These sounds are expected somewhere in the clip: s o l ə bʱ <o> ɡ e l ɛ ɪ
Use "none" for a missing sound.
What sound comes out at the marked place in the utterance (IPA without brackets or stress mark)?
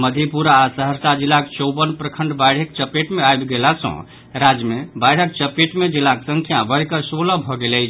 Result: ɔ